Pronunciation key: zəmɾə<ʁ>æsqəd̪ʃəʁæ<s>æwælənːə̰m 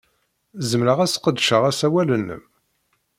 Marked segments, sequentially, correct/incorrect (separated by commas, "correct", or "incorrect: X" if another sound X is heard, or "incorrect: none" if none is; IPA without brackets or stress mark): correct, correct